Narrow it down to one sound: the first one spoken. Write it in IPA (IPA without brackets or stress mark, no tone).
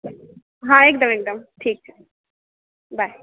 ɦ